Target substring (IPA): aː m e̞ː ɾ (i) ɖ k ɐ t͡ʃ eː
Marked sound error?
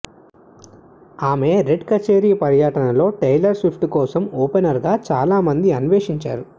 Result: yes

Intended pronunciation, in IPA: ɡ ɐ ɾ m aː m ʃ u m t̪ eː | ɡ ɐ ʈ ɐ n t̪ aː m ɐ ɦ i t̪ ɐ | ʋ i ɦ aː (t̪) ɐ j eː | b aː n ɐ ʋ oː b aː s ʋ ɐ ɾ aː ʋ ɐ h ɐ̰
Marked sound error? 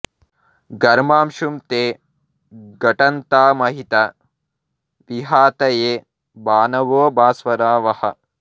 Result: no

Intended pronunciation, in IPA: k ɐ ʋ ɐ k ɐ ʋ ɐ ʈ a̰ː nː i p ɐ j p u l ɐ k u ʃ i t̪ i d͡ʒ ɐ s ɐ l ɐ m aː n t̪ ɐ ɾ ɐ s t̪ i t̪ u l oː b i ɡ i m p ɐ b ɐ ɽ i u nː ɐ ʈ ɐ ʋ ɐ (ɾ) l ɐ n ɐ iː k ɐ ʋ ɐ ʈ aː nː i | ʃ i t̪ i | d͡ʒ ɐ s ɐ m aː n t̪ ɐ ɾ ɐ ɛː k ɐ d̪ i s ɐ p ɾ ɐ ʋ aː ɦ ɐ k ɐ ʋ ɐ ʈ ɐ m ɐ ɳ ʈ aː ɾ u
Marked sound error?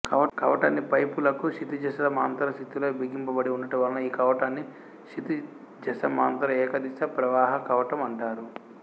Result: yes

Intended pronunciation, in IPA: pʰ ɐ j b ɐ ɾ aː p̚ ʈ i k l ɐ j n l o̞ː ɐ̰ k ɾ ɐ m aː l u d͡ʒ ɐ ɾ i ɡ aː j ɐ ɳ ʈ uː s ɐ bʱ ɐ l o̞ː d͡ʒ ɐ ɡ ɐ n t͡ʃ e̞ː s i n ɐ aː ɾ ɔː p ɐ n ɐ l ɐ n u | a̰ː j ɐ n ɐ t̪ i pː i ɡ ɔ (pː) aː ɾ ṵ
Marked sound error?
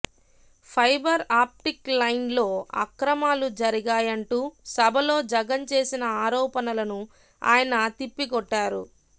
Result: yes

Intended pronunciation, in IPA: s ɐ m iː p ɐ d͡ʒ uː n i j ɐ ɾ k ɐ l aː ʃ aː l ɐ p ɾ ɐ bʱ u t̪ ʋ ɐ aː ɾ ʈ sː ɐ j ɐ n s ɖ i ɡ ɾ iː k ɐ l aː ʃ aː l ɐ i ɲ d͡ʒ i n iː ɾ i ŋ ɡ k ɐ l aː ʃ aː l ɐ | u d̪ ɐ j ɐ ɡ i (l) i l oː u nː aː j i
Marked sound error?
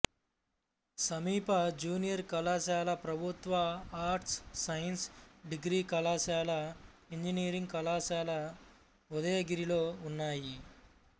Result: yes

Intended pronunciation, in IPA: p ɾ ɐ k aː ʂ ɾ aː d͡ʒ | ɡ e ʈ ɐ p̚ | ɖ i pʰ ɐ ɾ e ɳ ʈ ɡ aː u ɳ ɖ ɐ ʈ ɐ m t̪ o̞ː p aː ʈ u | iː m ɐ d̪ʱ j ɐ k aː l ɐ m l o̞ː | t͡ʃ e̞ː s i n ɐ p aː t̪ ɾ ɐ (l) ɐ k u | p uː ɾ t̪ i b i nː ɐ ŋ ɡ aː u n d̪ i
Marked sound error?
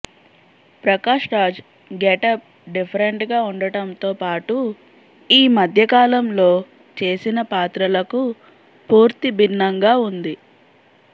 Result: no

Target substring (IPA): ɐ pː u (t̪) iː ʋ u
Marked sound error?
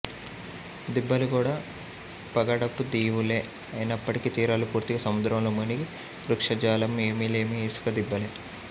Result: yes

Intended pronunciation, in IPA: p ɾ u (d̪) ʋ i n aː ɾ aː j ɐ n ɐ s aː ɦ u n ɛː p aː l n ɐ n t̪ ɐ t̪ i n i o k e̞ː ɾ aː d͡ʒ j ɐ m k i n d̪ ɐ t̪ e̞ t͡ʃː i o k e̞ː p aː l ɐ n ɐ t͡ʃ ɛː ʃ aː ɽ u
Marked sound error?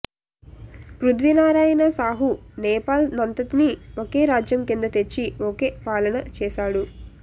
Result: no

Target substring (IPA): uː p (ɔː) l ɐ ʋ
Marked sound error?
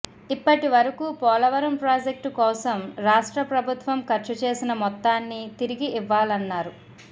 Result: no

